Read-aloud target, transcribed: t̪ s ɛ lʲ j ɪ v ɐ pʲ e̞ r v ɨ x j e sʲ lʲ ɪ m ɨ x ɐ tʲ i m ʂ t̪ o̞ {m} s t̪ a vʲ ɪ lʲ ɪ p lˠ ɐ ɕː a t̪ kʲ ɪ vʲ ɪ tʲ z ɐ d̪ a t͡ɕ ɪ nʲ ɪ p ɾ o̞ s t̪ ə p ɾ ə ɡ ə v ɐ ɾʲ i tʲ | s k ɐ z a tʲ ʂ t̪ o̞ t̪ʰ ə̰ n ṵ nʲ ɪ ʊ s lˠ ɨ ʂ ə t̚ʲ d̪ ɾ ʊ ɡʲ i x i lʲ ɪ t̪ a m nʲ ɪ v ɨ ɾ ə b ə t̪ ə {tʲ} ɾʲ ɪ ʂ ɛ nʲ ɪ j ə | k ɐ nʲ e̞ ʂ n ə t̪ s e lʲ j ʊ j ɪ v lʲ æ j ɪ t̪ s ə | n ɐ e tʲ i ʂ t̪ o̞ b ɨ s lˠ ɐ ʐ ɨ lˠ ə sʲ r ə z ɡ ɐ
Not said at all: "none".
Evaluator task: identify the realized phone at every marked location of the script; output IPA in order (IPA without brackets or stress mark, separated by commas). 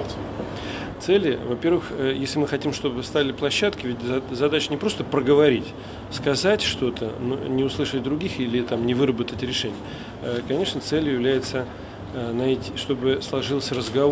b, tʲ